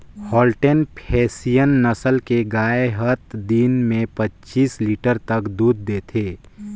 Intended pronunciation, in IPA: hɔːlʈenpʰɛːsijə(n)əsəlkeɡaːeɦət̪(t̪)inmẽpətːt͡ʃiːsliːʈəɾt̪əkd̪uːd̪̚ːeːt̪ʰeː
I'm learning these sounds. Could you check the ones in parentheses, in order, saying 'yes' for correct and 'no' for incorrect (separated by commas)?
no, no